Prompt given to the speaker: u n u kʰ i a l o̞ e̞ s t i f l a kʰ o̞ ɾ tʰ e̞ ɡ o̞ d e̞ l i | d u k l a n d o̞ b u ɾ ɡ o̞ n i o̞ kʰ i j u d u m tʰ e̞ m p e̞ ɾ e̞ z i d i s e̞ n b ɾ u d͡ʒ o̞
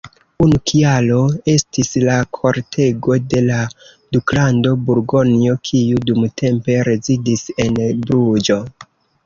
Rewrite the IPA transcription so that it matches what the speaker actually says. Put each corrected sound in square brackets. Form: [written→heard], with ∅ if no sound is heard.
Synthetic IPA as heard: u n u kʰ i a l o̞ e̞ s t i [f→s] l a kʰ o̞ ɾ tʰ e̞ ɡ o̞ d e̞ l [i→a] | d u k l a n d o̞ b u ɾ ɡ o̞ n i o̞ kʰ i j u d u m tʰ e̞ m p e̞ ɾ e̞ z i d i s e̞ n b ɾ u d͡ʒ o̞